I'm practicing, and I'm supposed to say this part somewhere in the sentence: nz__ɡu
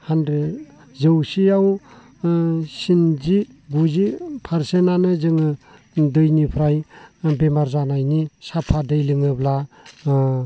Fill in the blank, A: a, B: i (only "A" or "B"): B